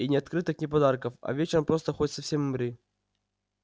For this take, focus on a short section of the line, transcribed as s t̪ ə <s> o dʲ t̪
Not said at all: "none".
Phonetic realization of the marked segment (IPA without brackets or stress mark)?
x